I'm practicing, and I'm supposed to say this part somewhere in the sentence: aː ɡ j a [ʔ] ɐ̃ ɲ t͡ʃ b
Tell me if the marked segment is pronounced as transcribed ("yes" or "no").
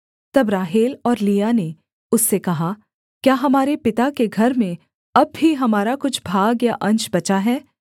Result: yes